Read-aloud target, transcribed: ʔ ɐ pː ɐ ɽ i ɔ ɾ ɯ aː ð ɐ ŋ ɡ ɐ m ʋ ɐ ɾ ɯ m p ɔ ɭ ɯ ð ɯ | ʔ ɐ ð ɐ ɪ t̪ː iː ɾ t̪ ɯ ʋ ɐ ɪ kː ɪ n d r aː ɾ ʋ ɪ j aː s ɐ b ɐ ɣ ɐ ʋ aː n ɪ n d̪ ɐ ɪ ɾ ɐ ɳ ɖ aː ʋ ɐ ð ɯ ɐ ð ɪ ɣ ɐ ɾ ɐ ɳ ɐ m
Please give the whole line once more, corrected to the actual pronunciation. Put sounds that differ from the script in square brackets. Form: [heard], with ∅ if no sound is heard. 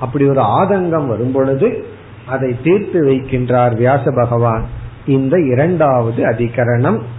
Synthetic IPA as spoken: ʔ ɐ pː ɐ ɽ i ɔ ɾ ɯ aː ð ɐ ŋ ɡ ɐ m ʋ ɐ ɾ ɯ m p ɔ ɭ ɯ ð ɯ | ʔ ɐ ð ɐ ɪ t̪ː iː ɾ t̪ ɯ ʋ ɐ ɪ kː ɪ n d r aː ɾ ʋ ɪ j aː s ɐ b ɐ ɣ ɐ ʋ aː n ɪ n d̪ ɐ ɪ ɾ ɐ ɳ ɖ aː ʋ ɐ ð ɯ ɐ ð ɪ ɣ ɐ ɾ ɐ ɳ ɐ m